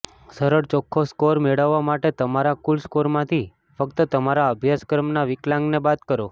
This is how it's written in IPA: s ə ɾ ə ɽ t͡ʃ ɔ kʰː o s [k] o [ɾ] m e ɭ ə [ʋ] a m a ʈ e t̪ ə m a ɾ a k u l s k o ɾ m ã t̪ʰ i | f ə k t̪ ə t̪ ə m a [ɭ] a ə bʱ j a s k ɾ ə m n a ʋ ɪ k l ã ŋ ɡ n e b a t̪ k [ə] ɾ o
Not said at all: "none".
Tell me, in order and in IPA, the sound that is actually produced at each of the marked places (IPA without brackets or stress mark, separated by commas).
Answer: k, ɾ, ʋː, ɾ, ə